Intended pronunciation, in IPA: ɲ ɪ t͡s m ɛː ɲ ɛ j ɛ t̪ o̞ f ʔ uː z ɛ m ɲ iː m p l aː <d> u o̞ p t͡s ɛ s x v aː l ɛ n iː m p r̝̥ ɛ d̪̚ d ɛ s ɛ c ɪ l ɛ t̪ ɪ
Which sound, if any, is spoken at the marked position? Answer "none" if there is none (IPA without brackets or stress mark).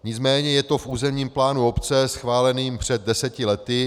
n